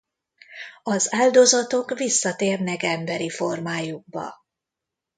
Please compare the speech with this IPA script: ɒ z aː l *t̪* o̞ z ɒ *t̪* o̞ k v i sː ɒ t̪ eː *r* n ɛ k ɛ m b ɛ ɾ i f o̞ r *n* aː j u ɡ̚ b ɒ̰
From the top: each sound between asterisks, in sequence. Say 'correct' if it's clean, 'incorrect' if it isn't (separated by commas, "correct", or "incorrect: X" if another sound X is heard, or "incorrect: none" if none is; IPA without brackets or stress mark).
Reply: incorrect: d̪, correct, correct, incorrect: m